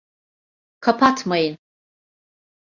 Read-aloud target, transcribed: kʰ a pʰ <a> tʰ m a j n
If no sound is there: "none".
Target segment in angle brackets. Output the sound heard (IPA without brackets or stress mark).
a